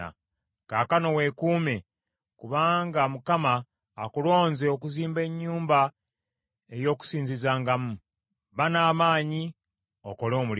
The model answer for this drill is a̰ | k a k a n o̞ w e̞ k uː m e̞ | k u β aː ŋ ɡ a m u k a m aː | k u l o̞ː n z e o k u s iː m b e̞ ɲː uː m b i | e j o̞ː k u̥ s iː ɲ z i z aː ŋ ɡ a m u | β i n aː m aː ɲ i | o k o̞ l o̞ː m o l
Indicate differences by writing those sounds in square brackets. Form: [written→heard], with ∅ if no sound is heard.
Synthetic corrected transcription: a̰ | k a k a n o̞ w e̞ k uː m e̞ | k u β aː ŋ ɡ a m u k a m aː | k u l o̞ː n z e o k u [s→z] iː m b e̞ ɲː uː m b [i→a] | e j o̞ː k u̥ s iː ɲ z i z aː ŋ ɡ a m u | β [i→a] n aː m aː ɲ i | o k o̞ l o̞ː m [o→u] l

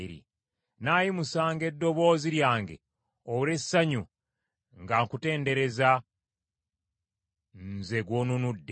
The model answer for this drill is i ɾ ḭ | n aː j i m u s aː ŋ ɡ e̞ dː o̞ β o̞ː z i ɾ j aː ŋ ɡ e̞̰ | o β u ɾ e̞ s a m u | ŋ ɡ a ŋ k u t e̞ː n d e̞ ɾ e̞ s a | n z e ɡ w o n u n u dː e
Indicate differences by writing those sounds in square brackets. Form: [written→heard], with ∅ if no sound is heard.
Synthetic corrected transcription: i ɾ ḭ | n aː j i m u s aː ŋ ɡ e̞ dː o̞ β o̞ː z i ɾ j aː ŋ ɡ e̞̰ | o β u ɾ e̞ s a [m→ɲ] u | ŋ ɡ a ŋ k u t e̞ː n d e̞ ɾ e̞ [s→z] a | n z e ɡ w o n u n u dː e

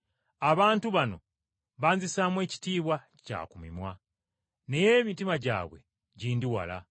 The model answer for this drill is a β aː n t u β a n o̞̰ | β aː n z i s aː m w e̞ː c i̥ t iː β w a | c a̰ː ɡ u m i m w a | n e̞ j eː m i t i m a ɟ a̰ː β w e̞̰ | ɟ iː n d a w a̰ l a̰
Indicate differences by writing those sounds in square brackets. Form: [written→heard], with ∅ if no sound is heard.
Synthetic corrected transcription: a β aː n t u β a n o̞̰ | β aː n z i s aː m w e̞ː c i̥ t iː β w a | c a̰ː [ɡ→k] u m i m w a | n e̞ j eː m i t i m a ɟ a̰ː β w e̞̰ | ɟ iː n d [a→i] w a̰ l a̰

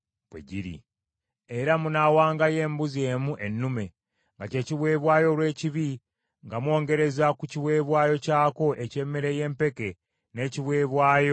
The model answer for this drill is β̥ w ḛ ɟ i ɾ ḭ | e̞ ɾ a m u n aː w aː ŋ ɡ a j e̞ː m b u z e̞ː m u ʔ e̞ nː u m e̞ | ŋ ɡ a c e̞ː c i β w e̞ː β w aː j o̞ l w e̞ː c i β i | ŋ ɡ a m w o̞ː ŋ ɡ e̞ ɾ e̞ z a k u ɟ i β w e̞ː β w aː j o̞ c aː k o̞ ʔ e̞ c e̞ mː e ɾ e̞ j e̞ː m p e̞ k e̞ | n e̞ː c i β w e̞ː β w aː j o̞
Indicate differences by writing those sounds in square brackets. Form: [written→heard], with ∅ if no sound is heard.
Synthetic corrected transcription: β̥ w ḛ ɟ i ɾ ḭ | e̞ ɾ a m u n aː w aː ŋ ɡ a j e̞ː m b u z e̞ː m u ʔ e̞ nː u m e̞ | ŋ ɡ a c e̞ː c i β w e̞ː β w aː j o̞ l w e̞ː c i β i | ŋ ɡ a m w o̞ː ŋ ɡ e̞ ɾ e̞ z a k u [ɟ→c] i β w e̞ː β w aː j o̞ c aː k o̞ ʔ e̞ c e̞ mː e ɾ e̞ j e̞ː m p e̞ k e̞ | n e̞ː c i β w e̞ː β w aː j o̞

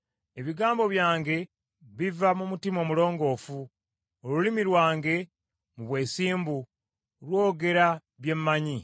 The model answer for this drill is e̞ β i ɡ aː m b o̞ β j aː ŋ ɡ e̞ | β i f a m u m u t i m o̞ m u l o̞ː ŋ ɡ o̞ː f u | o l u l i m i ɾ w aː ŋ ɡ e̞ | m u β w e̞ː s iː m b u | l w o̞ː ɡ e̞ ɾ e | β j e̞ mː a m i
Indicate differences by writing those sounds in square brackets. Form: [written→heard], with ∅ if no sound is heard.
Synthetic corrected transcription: e̞ β i ɡ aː m b o̞ β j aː ŋ ɡ e̞ | β i [f→v] a m u m u t i m o̞ m u l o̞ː ŋ ɡ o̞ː f u | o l u l i m i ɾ w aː ŋ ɡ e̞ | m u β w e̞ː s iː m b u | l w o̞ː ɡ e̞ ɾ [e→a] | β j e̞ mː a [m→ɲ] i

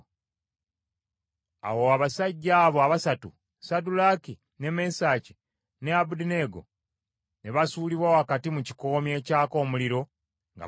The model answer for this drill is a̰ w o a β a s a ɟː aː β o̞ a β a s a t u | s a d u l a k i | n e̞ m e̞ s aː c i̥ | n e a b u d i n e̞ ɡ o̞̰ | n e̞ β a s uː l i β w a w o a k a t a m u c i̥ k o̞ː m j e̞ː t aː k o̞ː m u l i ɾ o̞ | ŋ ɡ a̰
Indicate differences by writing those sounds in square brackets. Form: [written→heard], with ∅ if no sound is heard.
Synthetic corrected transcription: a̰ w o a β a s a ɟː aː β o̞ a β a s a t u | s a d u l a k i | n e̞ m e̞ s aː c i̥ | n e a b u d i n e̞ ɡ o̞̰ | n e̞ β a s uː l i β w a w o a k a t [a→i] m u c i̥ k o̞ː m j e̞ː [t→c] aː k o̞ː m u l i ɾ o̞ | ŋ ɡ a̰

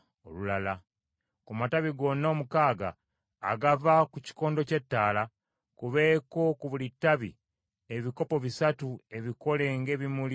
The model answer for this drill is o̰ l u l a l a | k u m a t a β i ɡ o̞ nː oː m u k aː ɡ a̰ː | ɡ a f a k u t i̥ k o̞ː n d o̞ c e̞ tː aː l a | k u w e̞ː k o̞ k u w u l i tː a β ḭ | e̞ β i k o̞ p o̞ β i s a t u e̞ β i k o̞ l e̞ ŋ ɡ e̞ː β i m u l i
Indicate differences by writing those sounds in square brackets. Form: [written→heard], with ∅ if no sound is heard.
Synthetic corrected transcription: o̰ l u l a l a | k u m a t a β i ɡ o̞ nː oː m u k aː ɡ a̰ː | ɡ a [f→v] a k u [t→c] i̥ k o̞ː n d o̞ c e̞ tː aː l a | k u [w→β] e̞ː k o̞ k u [w→β] u l i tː a β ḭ | e̞ β i k o̞ p o̞ β i s a t u e̞ β i k o̞ l e̞ ŋ ɡ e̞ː β i m u l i

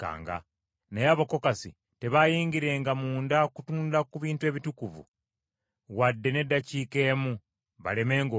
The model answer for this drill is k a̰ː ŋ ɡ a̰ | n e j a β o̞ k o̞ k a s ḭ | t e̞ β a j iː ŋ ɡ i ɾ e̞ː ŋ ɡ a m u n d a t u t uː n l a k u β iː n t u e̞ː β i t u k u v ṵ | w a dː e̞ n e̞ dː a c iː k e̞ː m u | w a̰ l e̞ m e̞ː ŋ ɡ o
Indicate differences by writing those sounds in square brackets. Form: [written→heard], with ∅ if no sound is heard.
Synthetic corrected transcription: k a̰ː ŋ ɡ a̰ | n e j a β o̞ k o̞ k a s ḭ | t e̞ β a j iː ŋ ɡ i ɾ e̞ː ŋ ɡ a m [u→uː] n d a [t→k] u t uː n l a k u β iː n t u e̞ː β i t u k u v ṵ | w a dː e̞ n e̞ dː a c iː k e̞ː m u | [w→β] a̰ l e̞ m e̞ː ŋ ɡ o

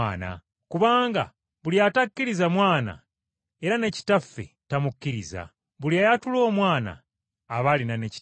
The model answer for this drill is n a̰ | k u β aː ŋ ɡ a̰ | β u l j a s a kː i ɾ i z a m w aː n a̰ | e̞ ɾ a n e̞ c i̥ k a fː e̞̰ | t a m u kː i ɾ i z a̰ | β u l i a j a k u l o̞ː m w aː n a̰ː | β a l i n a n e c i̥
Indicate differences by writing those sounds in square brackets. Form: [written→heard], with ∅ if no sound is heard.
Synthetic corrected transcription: n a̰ | k u β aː ŋ ɡ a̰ | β u l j a [s→t] a kː i ɾ i z a m w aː n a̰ | e̞ ɾ a n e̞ c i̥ [k→t] a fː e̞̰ | t a m u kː i ɾ i z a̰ | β u l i a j a [k→t] u l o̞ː m w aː n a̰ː | β a l i n a n e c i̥

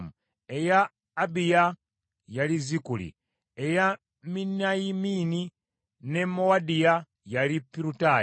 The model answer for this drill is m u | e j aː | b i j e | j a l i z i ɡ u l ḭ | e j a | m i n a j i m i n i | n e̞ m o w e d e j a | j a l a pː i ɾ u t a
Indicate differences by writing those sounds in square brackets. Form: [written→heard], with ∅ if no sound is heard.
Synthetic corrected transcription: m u | e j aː | b i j [e→a] | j a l i z i [ɡ→k] u l ḭ | e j a | m i n a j i m i n i | n e̞ m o w [e→a] d [e→i] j a | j a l [a→i] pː i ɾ u t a

